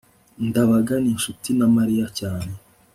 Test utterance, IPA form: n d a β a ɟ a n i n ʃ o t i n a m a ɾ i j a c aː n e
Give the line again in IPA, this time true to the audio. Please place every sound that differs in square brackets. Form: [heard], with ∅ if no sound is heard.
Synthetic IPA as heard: n d a β a [ɡ] a n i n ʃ [u] t i n a m a ɾ i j a c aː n e